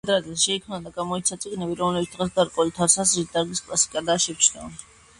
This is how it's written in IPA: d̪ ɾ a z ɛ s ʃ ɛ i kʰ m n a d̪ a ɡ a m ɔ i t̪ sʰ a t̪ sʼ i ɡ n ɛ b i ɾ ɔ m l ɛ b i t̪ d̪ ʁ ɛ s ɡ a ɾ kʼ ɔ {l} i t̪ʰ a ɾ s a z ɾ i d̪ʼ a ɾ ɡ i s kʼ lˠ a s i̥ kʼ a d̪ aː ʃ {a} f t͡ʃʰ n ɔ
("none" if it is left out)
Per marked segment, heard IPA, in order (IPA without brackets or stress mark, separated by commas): l, ɛ